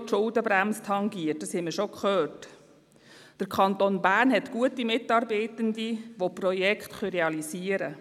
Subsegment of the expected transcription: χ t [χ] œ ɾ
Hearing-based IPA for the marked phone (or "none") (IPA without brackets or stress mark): χ